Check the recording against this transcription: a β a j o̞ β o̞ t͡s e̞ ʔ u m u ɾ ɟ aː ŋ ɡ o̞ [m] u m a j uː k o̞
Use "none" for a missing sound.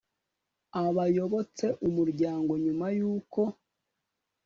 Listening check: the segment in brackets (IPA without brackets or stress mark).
ɲ